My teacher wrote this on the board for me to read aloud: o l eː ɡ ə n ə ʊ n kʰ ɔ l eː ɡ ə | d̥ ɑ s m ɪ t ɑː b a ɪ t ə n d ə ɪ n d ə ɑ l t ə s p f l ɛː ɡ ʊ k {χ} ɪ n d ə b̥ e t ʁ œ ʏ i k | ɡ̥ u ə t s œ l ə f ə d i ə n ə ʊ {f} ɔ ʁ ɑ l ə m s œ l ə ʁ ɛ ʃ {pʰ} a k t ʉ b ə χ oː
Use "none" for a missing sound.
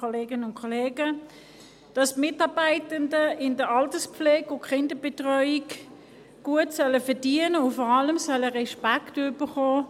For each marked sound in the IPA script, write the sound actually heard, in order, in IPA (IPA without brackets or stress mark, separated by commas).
χ, f, p